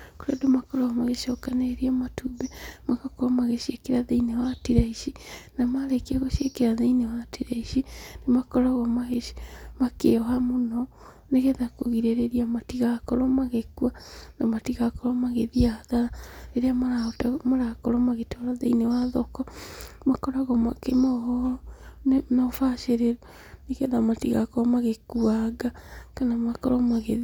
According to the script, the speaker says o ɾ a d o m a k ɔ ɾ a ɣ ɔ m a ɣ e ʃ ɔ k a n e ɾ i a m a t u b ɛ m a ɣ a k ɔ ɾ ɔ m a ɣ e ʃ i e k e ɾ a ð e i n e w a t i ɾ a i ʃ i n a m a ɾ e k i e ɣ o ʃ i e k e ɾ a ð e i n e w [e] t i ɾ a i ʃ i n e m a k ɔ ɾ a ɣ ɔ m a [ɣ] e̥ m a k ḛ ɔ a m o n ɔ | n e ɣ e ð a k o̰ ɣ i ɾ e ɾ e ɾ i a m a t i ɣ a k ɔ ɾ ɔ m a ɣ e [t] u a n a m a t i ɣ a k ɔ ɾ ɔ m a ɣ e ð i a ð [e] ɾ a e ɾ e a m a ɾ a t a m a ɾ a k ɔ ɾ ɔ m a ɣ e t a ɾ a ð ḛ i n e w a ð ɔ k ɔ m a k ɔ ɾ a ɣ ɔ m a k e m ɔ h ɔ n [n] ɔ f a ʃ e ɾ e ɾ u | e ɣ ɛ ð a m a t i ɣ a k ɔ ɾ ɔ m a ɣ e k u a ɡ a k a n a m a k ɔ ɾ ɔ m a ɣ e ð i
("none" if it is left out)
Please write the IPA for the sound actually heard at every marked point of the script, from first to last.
a, ɣ, k, a, n

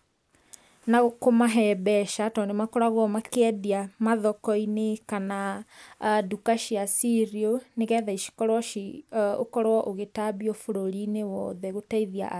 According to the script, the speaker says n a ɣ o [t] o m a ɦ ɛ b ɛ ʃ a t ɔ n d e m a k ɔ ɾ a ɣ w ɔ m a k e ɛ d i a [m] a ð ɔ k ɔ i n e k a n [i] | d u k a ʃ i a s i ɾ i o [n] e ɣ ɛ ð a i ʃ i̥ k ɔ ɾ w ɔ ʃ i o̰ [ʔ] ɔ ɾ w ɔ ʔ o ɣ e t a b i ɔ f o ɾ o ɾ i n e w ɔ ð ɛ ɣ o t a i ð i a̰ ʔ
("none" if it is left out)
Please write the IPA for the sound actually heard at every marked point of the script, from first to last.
k, m, a, n, k

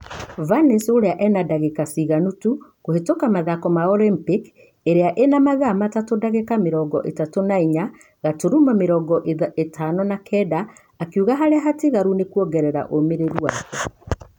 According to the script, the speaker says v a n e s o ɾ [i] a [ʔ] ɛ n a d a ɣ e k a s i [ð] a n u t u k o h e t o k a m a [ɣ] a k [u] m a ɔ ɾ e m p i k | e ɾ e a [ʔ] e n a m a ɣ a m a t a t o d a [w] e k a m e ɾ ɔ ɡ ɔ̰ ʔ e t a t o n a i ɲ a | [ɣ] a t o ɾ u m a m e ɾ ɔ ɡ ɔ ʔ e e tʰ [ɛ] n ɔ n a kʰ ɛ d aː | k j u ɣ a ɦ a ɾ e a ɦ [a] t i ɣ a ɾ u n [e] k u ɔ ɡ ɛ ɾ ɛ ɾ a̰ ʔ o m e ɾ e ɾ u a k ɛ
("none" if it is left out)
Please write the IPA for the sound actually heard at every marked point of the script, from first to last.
e, ʔ, ɣ, ð, ɔ, ʔ, ɣ, ɣ, a, a, e

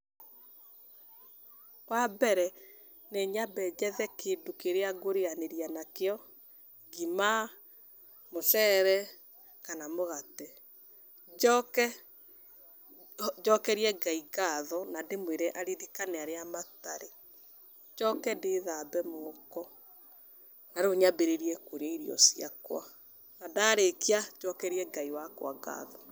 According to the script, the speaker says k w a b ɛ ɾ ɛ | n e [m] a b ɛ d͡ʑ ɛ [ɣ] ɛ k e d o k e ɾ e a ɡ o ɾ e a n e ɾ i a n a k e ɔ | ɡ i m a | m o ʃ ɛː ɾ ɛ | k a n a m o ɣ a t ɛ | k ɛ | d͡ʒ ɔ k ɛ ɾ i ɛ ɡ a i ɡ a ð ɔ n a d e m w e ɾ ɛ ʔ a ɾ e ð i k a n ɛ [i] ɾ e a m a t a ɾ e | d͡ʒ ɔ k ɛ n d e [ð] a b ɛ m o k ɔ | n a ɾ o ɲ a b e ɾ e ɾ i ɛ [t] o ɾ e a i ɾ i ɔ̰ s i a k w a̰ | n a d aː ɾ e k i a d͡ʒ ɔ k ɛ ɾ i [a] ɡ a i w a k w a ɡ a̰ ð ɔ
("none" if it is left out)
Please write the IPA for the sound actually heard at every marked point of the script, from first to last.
ɲ, ð, a, ð, k, ɛ

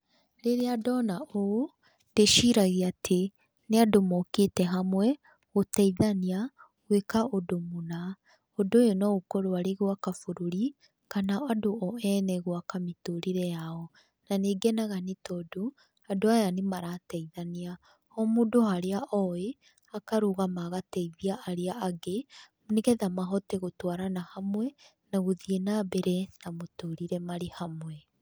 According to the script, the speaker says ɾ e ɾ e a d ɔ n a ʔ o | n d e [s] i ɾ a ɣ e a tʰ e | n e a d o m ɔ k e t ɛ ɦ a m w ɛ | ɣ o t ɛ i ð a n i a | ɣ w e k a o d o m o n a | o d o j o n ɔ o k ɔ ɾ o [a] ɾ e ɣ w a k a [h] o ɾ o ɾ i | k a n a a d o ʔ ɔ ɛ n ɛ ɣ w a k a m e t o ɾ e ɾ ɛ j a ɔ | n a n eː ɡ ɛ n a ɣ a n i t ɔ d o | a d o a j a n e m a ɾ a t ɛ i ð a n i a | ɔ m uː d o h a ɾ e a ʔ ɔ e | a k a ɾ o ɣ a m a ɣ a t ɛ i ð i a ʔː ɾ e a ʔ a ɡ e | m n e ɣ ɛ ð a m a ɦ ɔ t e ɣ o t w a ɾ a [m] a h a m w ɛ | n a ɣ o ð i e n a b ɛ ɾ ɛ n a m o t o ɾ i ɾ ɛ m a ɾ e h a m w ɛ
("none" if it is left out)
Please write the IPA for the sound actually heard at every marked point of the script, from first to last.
ʃ, a, f, n

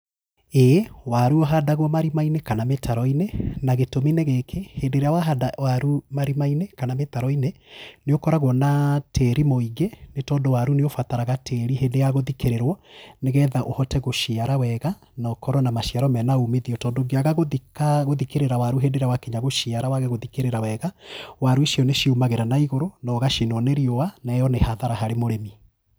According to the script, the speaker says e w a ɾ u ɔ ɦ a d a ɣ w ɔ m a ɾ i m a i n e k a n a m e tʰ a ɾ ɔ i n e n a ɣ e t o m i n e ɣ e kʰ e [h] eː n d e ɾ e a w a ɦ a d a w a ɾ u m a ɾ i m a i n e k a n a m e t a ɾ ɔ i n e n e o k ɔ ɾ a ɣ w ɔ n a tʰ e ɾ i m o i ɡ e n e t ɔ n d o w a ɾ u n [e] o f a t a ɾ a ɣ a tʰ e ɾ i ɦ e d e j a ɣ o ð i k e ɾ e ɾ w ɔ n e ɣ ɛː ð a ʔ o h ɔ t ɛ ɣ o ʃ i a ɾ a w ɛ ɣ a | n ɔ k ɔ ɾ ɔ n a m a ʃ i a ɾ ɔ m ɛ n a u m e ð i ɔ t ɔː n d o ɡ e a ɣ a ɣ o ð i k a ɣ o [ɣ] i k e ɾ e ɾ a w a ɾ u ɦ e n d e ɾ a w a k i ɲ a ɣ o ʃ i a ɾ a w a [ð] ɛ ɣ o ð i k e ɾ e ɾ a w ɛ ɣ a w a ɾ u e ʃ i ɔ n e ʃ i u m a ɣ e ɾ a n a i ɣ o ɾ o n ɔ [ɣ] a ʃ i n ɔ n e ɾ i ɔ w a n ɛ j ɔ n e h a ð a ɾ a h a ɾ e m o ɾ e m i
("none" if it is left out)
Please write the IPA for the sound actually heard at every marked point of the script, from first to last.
h, e, ð, ɣ, ɣ

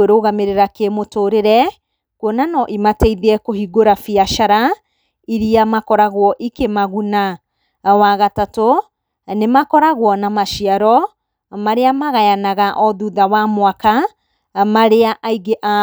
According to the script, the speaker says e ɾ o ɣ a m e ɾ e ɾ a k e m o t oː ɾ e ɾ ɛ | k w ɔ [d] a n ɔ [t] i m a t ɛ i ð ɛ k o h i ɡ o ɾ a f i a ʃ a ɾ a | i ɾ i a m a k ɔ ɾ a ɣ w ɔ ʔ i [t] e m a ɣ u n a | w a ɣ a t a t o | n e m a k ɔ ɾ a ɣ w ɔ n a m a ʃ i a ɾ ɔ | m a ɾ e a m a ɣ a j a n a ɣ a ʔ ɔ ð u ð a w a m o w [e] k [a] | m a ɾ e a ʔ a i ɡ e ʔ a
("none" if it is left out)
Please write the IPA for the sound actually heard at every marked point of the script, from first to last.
n, ʔ, k, a, a

